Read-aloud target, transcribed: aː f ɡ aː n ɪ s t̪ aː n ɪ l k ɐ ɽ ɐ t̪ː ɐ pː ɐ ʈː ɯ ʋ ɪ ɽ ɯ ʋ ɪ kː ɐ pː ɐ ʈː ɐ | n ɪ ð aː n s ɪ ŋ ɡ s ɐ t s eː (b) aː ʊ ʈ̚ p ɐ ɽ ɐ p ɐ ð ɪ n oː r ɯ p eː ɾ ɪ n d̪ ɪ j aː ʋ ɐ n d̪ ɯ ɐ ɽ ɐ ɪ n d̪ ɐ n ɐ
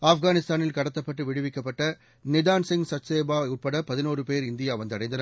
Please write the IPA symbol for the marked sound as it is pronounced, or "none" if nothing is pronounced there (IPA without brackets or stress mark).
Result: b